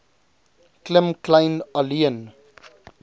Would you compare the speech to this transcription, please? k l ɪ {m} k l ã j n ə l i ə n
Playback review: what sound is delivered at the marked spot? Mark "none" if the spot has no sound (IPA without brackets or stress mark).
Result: m